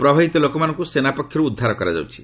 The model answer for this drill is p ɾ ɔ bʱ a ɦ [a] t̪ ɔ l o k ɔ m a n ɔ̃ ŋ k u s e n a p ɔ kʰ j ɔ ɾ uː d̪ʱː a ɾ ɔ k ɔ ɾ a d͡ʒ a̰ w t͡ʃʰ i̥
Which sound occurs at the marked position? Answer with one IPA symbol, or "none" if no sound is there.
i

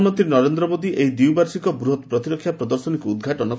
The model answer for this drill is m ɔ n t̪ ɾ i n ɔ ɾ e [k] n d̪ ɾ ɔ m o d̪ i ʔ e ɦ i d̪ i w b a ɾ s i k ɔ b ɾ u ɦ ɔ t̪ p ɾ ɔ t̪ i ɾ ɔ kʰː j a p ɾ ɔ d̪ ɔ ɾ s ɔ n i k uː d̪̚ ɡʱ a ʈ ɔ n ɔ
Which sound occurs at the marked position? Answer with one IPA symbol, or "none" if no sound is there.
none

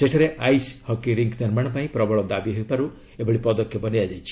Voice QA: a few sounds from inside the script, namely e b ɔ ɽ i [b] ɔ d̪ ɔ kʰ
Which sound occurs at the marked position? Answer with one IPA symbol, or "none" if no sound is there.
p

